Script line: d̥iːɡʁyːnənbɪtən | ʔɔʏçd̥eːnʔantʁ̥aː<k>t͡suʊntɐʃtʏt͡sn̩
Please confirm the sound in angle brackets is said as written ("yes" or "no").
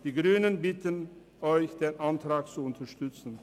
yes